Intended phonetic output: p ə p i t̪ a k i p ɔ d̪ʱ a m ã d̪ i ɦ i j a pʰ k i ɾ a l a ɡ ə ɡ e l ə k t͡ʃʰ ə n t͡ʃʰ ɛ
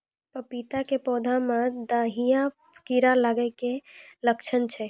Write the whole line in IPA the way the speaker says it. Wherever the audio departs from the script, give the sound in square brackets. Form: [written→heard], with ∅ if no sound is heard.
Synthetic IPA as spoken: p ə p i t̪ a k [i→e] p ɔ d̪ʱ a m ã d̪ [i→a] ɦ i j a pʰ k i ɾ a l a ɡ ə [ɡ→k] e l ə k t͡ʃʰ ə n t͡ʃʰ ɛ